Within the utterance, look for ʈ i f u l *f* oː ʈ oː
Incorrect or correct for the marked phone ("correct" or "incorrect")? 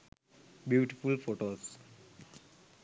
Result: correct